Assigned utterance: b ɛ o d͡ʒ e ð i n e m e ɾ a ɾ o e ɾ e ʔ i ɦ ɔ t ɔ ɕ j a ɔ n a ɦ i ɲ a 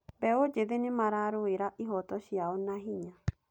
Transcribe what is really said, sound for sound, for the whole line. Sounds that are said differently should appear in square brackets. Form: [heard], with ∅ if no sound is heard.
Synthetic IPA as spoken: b ɛ o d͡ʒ e ð [e] n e m [a] ɾ a ɾ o e ɾ [a] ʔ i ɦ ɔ t ɔ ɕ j a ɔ n a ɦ i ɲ a